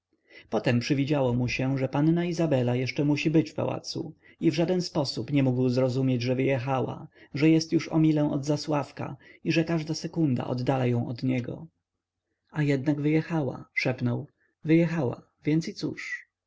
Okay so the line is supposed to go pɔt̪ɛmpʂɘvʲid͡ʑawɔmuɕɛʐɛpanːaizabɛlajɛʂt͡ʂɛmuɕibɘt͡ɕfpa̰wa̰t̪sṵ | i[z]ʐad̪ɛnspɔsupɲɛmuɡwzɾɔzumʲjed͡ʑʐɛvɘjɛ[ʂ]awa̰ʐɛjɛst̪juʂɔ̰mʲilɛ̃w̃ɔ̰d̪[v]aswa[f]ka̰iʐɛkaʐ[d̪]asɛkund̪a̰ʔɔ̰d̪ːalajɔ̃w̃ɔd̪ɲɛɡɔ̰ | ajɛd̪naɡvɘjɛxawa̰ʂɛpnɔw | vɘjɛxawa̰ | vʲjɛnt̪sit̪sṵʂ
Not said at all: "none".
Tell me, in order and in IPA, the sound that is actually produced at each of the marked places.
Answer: v, x, z, f, d̪

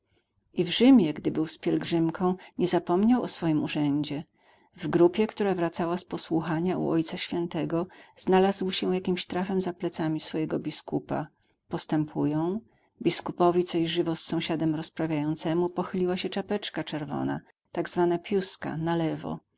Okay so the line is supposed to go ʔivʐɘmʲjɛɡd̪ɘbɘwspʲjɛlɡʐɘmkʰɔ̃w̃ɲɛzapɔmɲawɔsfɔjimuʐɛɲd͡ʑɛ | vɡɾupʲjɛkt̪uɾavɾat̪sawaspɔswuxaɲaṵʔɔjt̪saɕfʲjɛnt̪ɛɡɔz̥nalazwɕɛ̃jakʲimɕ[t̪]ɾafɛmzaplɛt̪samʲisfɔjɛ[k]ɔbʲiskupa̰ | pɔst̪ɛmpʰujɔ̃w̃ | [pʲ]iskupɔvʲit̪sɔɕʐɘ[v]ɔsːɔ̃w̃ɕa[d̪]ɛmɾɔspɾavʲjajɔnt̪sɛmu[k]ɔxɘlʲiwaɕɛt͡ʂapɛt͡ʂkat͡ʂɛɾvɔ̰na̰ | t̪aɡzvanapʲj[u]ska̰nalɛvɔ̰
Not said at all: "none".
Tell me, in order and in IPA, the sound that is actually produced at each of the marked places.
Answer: t̪, ɡ, bʲ, v, d̪, p, u

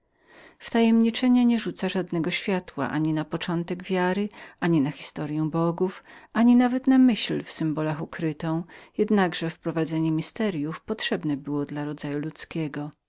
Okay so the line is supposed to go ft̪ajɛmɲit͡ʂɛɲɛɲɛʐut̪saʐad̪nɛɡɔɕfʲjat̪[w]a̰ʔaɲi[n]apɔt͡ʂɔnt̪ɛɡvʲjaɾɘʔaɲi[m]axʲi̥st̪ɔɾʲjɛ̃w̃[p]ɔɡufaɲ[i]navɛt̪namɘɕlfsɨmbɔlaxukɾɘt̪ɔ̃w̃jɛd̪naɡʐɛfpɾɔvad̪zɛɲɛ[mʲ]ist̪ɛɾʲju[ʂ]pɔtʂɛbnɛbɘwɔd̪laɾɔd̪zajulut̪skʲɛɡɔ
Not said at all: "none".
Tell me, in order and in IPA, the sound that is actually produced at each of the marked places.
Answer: w, n, n, b, i, mʲ, f

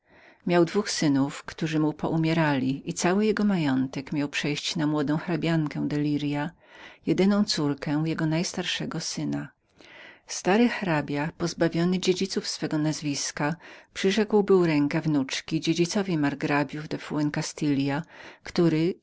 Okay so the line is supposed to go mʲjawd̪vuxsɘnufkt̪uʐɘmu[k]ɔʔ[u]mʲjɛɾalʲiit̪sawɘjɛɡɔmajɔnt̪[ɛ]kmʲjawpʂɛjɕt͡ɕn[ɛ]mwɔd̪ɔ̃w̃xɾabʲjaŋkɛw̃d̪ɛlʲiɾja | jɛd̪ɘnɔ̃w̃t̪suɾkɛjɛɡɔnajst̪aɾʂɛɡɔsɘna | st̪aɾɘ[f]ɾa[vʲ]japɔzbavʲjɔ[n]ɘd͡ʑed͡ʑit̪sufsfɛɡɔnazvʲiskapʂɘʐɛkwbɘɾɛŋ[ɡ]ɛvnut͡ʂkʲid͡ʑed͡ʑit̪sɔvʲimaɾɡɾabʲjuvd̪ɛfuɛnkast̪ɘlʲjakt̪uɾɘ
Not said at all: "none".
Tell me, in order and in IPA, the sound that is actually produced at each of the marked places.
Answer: p, u, ɛ, a, x, bʲ, n, k

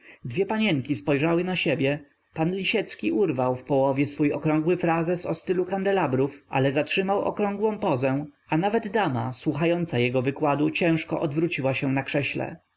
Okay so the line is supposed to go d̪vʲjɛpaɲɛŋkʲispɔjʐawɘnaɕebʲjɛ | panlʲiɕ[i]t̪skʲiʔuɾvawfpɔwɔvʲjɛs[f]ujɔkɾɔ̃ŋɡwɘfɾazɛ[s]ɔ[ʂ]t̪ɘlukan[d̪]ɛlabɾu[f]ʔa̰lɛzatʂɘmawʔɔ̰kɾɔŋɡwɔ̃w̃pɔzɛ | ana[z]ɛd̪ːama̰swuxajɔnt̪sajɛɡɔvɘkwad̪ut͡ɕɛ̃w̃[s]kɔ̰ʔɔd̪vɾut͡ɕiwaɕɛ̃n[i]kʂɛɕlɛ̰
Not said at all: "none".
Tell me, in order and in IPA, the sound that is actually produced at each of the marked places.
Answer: ɛ, f, s, s, d̪, f, v, ʂ, a

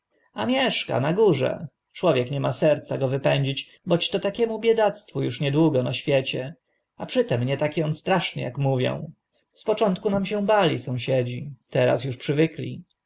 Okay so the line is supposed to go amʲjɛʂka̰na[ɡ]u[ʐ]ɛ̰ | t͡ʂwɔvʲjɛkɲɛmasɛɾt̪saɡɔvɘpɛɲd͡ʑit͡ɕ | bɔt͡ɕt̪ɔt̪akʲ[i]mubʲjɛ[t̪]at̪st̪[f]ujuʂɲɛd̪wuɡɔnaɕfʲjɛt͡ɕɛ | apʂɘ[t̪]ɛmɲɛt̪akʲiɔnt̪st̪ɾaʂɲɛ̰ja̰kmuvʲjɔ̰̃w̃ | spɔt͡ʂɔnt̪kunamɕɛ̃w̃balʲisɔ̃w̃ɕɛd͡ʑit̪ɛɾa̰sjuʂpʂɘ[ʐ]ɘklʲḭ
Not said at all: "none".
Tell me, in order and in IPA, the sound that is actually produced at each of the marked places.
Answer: ɡ, ʐ, ɛ, d̪, f, t̪, v

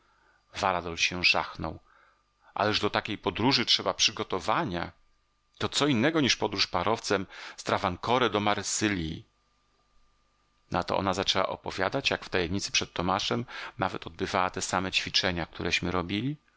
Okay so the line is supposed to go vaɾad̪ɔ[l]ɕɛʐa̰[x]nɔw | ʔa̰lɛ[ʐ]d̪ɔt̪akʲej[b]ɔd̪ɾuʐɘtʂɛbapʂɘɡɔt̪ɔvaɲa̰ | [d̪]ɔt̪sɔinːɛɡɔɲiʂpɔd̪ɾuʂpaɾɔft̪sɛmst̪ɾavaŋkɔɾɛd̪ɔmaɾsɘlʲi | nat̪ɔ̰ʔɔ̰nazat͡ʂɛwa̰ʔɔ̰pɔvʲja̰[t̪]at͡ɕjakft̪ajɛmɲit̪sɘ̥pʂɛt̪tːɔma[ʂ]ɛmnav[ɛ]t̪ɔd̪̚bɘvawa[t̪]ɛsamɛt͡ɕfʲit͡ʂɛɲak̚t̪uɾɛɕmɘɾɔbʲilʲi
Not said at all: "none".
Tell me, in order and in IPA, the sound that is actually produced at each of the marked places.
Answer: l, x, ʐ, p, t̪, d̪, ʂ, ɛ, t̪

